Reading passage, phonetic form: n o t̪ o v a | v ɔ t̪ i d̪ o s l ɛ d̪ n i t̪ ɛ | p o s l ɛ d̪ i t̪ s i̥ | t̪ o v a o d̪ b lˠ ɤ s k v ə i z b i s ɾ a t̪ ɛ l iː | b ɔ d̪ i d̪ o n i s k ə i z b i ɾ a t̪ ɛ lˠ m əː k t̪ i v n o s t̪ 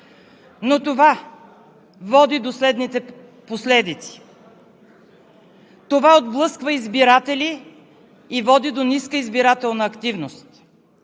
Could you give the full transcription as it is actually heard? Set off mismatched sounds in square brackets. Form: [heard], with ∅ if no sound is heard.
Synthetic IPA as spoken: n o t̪ o v a | v ɔ [d̪] i d̪ o s l ɛ d̪ n i t̪ ɛ | p o s l ɛ d̪ i t̪ s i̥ | t̪ o v a o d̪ b lˠ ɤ s k v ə i z b i [∅] ɾ a t̪ ɛ l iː | [v] ɔ d̪ i d̪ o n i s k ə i z b i ɾ a t̪ ɛ lˠ [n] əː k t̪ i v n o s t̪

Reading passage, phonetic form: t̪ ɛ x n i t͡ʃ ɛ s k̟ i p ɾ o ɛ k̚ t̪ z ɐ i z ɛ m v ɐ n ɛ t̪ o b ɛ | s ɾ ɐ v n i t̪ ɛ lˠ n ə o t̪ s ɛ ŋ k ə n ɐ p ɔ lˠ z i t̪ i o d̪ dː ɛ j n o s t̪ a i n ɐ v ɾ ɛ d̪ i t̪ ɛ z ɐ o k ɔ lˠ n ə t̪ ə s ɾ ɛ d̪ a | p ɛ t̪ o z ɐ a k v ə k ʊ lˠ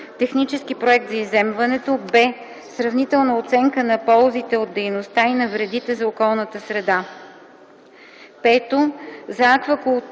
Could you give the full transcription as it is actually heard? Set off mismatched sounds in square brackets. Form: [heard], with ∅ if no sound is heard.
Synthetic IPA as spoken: t̪ ɛ x n i t͡ʃ ɛ s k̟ i p ɾ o ɛ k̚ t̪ z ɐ i z ɛ m v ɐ n ɛ t̪ o b ɛ | s ɾ ɐ v n i t̪ ɛ lˠ n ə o t̪ s ɛ ŋ k ə n ɐ p ɔ lˠ z i t̪ [ɛ] o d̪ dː ɛ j n o s t̪ a i n ɐ v ɾ ɛ d̪ i t̪ ɛ z ɐ o k ɔ lˠ n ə t̪ ə s ɾ ɛ d̪ a | p ɛ t̪ o z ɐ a k v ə k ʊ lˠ

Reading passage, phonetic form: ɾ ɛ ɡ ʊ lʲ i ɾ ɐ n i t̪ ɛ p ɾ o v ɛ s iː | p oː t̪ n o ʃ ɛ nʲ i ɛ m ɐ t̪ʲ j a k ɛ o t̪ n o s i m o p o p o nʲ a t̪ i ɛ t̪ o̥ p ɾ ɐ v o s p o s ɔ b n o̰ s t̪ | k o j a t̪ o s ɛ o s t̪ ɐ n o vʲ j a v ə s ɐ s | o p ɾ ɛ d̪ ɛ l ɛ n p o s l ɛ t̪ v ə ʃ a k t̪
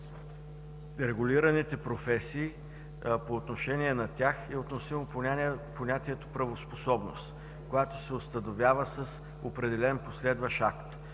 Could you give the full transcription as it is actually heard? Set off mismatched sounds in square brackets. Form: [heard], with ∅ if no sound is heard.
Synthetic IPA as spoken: ɾ ɛ ɡ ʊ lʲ i ɾ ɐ n i t̪ ɛ p ɾ o [f] ɛ s iː | p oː t̪ n o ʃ ɛ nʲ i ɛ [n] ɐ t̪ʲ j a [x] ɛ o t̪ n o s i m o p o p o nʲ a t̪ i ɛ t̪ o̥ p ɾ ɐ v o s p o s ɔ b n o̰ s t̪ | k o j a t̪ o s ɛ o s t̪ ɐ n o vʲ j a v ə s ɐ s | o p ɾ ɛ d̪ ɛ l ɛ n p o s l ɛ [d̪] v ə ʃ a k t̪

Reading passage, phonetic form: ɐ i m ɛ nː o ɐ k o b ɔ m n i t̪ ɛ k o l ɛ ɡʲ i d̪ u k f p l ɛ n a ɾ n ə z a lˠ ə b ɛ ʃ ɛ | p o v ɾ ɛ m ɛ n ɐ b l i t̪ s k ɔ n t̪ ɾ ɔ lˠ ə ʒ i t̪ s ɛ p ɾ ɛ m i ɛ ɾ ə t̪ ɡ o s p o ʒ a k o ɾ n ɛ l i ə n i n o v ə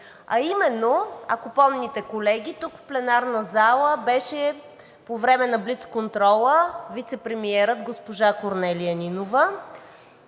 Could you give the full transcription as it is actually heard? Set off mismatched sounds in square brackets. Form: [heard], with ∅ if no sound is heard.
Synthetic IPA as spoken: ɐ i m ɛ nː o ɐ k o [p] ɔ m n i t̪ ɛ k o l ɛ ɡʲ i [t̪] u k f p l ɛ n a ɾ n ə z a lˠ ə b ɛ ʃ ɛ | p o v ɾ ɛ m ɛ n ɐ b l i t̪ s k [o] n t̪ ɾ ɔ lˠ ə [v] i t̪ s ɛ p ɾ ɛ m i ɛ ɾ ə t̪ ɡ o s p o ʒ a k o ɾ n ɛ l i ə n i n o v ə

